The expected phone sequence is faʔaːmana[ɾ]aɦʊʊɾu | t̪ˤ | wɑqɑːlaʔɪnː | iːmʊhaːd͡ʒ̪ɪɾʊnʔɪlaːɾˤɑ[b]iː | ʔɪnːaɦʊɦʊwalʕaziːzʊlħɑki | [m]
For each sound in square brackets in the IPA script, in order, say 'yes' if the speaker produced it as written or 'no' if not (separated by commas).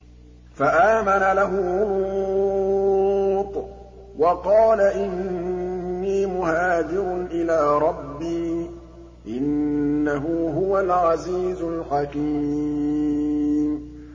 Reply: no, no, yes